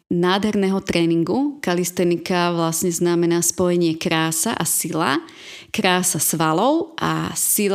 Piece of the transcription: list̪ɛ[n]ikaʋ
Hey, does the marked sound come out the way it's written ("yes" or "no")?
yes